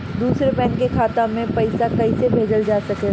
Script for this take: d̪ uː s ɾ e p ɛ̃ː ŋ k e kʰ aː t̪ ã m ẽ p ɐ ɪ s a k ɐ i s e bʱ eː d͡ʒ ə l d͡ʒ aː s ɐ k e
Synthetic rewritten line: d̪ uː s ɾ e p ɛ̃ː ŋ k e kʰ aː t̪ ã m ẽ p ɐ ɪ s a k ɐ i s e bʱ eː d͡ʒ ə l d͡ʒ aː s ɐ k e